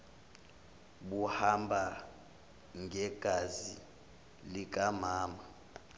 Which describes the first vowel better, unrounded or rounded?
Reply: rounded